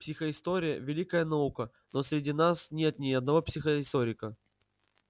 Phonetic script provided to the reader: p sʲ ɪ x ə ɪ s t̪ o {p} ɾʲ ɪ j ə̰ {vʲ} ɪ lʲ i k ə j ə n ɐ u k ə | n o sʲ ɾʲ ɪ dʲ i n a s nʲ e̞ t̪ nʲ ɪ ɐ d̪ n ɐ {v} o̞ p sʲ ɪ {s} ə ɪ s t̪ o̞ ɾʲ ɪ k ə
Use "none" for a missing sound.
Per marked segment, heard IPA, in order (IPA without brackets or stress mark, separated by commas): none, vʲ, v, x